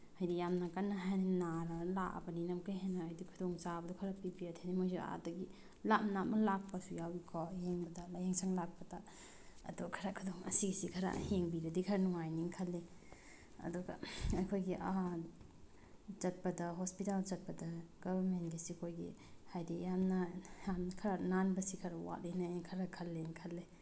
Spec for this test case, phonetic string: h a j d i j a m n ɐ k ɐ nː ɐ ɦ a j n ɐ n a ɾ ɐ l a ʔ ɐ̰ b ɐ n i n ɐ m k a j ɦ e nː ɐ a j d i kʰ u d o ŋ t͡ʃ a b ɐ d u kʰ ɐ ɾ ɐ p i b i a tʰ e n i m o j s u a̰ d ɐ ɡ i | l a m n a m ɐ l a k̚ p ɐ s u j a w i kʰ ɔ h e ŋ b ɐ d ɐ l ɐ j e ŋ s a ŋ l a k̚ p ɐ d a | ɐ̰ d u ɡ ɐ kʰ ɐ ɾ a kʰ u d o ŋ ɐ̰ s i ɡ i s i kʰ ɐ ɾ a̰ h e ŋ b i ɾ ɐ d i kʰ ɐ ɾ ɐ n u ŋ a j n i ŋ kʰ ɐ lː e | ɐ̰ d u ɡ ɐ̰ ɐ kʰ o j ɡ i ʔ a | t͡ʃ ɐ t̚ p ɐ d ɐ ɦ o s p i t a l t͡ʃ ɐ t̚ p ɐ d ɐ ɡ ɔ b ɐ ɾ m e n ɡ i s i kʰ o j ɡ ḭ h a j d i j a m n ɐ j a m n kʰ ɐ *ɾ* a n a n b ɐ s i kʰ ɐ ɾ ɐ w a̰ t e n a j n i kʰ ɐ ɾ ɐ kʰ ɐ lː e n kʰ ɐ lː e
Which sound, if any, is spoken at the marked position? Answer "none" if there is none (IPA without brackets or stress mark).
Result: ɾ